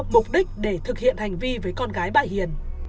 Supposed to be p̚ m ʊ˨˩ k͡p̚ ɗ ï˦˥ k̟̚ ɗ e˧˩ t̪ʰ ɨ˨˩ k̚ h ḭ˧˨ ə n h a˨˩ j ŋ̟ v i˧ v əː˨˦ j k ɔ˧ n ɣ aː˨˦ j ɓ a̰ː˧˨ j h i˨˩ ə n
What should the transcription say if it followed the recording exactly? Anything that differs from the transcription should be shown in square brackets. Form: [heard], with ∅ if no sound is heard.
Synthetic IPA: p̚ m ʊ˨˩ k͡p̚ ɗ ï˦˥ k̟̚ ɗ e˧˩ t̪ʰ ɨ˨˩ k̚ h ḭ˧˨ ə n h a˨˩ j ŋ̟ v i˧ v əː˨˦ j k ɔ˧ n ɣ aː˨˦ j ɓ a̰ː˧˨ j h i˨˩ ə n

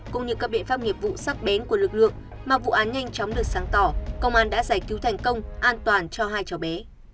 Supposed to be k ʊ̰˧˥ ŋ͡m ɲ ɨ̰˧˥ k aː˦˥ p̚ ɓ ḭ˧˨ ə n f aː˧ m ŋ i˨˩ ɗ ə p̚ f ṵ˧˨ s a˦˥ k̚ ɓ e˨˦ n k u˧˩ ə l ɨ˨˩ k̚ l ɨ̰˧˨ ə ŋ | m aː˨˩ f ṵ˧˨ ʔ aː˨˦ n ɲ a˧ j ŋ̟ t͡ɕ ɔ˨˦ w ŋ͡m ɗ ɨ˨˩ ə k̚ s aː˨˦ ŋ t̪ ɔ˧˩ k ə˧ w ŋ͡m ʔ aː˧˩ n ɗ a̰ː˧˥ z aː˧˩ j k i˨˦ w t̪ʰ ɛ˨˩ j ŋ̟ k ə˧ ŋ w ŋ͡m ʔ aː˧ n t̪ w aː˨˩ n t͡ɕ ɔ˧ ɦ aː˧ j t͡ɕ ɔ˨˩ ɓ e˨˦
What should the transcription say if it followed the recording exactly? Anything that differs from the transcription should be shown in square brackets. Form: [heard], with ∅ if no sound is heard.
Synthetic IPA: k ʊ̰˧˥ ŋ͡m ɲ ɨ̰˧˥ k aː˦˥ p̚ ɓ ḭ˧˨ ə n f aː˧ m ŋ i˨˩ [∅] ə p̚ [v] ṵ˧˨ s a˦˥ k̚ ɓ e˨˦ n k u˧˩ ə l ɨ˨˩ k̚ l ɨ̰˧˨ ə ŋ | m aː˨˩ [v] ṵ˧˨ ʔ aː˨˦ n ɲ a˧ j ŋ̟ t͡ɕ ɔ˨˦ w ŋ͡m ɗ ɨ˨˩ ə k̚ s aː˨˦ ŋ t̪ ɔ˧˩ k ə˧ w ŋ͡m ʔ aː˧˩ n ɗ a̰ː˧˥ z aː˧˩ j k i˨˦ w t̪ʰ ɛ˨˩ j ŋ̟ k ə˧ [∅] w ŋ͡m ʔ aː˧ n t̪ w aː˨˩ n t͡ɕ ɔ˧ ɦ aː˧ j t͡ɕ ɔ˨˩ ɓ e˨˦

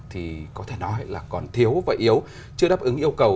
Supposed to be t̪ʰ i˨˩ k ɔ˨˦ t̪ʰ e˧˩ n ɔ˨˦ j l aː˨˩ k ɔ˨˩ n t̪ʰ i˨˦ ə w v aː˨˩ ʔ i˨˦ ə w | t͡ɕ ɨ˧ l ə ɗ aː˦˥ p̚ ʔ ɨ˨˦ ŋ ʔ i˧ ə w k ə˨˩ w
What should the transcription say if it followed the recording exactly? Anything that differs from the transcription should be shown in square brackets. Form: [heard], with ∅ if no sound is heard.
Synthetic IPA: t̪ʰ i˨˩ k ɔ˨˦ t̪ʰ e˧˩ n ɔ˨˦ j l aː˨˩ k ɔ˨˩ n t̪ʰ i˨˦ ə w v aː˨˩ ʔ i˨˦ ə w | t͡ɕ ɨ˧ [∅] ə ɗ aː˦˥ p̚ ʔ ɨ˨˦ ŋ ʔ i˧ ə w k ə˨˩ w

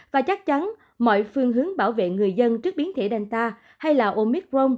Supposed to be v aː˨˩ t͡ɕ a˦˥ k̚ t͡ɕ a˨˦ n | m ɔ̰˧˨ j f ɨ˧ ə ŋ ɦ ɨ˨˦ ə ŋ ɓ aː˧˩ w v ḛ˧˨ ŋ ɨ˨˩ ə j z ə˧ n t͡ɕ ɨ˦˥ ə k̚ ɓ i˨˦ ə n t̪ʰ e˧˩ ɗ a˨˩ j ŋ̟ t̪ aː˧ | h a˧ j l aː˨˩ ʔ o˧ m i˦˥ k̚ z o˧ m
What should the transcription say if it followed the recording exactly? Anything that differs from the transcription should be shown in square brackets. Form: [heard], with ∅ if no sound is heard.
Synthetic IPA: v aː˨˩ t͡ɕ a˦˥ k̚ t͡ɕ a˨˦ n | m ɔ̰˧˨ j f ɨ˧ ə ŋ ɦ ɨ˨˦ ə ŋ ɓ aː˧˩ w v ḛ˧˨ ŋ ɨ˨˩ ə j z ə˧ n t͡ɕ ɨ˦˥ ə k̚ ɓ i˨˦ ə n t̪ʰ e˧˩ ɗ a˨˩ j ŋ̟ t̪ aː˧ | h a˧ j l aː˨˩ ʔ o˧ m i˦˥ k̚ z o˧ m

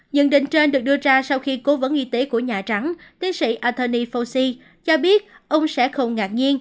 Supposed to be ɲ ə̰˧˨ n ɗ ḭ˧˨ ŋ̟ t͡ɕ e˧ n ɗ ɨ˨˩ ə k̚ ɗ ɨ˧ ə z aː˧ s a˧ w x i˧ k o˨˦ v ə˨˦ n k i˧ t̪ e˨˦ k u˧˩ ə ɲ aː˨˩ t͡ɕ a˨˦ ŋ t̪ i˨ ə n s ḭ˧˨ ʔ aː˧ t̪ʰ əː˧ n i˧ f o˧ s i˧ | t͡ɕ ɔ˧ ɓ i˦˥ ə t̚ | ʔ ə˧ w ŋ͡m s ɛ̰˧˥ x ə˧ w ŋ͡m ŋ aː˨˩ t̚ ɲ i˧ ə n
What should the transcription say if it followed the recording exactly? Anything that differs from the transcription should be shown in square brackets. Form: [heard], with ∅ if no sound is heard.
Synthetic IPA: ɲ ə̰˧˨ n ɗ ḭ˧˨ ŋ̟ t͡ɕ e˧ n ɗ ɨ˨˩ ə k̚ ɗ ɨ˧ ə z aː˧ s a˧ w x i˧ k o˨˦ v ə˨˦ n [ʔ] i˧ t̪ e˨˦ k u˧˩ ə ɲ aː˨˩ t͡ɕ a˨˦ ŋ t̪ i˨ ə n s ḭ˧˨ ʔ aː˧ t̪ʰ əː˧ n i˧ f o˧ s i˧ | t͡ɕ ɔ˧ ɓ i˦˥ ə t̚ | ʔ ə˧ w ŋ͡m s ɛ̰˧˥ x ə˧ w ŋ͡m ŋ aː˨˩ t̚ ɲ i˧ ə n

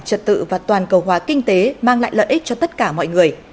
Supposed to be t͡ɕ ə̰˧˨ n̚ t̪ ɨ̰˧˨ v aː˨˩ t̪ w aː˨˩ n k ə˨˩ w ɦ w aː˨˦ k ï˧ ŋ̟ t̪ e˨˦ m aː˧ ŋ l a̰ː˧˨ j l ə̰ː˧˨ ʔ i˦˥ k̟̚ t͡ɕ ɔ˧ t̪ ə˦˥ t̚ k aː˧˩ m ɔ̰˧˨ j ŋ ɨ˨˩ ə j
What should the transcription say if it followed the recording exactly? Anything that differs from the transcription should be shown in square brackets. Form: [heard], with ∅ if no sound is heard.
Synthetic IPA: t͡ɕ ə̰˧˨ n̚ t̪ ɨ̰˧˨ v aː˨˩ t̪ w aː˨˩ n k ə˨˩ w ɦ w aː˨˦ k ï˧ ŋ̟ t̪ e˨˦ m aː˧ ŋ l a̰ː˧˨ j l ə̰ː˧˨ ʔ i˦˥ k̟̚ t͡ɕ ɔ˧ t̪ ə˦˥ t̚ k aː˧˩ m ɔ̰˧˨ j ŋ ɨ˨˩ ə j

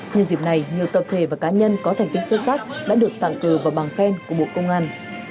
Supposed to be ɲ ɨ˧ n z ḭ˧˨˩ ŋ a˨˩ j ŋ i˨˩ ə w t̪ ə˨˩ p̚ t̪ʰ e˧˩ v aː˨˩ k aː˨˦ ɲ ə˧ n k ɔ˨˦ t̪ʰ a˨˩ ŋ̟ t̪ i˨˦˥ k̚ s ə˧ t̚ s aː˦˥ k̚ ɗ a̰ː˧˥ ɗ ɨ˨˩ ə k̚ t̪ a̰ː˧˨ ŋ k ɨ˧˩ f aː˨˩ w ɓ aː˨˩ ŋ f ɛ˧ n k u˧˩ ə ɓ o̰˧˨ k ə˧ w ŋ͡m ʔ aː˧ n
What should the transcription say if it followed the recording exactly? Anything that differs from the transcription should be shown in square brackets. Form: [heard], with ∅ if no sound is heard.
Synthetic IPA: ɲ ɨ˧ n z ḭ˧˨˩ [n] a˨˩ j [ɲ] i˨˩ ə w t̪ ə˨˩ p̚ t̪ʰ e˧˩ v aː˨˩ k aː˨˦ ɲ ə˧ n k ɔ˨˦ t̪ʰ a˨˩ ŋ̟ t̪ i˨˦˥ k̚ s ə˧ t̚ s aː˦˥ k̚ ɗ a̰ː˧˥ ɗ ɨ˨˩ ə k̚ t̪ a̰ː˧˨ ŋ k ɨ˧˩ [v] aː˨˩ w ɓ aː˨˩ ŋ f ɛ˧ n k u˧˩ ə ɓ o̰˧˨ k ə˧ w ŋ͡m ʔ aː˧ n

